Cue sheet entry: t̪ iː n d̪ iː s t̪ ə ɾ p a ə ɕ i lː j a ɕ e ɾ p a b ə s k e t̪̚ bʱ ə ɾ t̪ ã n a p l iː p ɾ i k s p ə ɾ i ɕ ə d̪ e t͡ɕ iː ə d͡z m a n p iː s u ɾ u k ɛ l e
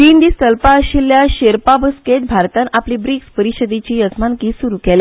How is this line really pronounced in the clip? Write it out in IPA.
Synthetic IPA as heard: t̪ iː n d̪ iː s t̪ ə l p a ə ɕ i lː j a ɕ e ɾ p a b ə s k e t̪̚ bʱ a ɾ t̪ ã n a p l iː b ɾ i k s p ə ɾ i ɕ ə d̪ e t͡ɕ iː ə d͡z m a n k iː s u ɾ u k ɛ l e

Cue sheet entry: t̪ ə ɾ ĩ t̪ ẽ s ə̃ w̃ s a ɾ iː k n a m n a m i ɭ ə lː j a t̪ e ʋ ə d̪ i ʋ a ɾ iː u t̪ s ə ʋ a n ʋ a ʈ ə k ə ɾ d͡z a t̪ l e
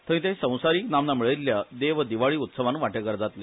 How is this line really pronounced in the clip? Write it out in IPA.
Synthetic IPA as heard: t̪ ə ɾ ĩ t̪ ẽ s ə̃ w̃ s a ɾ iː k n a m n a m i ɭ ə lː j a d̪ e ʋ ə d̪ i ʋ a ɭ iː u t̪ s ə ʋ a n ʋ a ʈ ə k ə ɾ d͡z a t̪ l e

